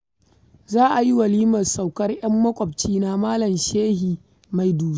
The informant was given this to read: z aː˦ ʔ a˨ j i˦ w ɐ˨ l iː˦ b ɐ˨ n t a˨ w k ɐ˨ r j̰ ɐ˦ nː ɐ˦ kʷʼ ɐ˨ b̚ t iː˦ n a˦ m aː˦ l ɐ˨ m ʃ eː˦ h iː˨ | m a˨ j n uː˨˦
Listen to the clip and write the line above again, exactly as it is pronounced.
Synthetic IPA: z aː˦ ʔ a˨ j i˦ w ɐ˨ l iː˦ m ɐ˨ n s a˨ w k ɐ˦ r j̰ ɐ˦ mː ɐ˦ kʷʼ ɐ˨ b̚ t͡ʃ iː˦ n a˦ m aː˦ l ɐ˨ m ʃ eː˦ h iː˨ | m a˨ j d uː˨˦